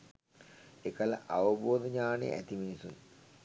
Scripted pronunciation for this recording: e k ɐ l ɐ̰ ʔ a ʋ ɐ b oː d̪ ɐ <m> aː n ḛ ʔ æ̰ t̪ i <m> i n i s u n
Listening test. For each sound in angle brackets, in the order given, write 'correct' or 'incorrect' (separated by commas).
incorrect, correct